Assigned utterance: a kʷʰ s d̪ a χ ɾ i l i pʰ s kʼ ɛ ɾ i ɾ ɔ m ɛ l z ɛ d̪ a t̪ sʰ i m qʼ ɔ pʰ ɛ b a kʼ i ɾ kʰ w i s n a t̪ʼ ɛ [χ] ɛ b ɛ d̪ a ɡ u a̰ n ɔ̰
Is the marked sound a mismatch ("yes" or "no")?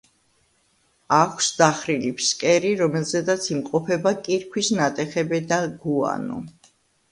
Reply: no